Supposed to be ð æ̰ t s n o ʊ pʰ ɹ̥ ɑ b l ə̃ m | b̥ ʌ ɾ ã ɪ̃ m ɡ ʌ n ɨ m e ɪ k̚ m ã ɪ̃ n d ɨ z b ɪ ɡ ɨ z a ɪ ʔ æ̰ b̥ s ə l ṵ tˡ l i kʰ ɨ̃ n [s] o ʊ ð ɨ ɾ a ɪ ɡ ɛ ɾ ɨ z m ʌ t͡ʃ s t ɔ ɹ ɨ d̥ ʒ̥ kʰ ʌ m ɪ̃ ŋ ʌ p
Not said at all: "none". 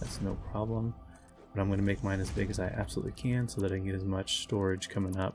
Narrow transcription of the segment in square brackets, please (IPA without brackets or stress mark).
s